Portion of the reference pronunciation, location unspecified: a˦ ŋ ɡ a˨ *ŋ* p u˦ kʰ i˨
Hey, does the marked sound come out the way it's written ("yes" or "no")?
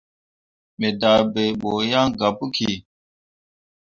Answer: no